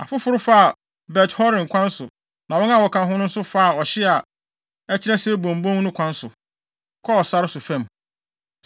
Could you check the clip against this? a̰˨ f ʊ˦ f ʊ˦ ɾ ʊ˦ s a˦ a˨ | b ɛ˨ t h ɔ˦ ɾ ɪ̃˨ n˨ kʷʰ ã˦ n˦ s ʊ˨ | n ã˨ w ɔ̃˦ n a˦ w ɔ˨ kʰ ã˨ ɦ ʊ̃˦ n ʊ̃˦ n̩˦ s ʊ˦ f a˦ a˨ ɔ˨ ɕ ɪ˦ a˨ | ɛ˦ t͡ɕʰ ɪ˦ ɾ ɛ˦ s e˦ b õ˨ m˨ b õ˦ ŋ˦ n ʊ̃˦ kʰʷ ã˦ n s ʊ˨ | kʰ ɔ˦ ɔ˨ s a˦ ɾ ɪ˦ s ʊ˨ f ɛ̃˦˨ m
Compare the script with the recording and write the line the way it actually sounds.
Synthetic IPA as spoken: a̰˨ f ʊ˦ f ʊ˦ ɾ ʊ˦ f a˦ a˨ | b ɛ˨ t h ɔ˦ ɾ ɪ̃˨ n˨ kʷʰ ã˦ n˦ s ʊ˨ | n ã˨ w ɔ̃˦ n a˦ w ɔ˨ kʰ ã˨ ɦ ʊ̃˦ n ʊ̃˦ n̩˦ s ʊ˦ f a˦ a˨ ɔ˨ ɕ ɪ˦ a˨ | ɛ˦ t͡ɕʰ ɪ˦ ɾ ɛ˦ s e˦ b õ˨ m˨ b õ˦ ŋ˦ n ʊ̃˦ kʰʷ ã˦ n s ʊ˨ | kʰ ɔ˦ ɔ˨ s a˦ ɾ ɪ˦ s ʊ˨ f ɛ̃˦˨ m